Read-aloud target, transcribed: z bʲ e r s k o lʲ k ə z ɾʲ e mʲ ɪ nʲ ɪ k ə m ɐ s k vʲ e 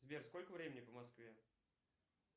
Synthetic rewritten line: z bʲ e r s k o lʲ k ə v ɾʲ e mʲ ɪ nʲ ɪ p ə m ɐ s k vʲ e